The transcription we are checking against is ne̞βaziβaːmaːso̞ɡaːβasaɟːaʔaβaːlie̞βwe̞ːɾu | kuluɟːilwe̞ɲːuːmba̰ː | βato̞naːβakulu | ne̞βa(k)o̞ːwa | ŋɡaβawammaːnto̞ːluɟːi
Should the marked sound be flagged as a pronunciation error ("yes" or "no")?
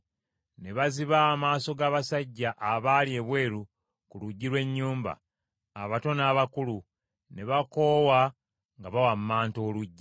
no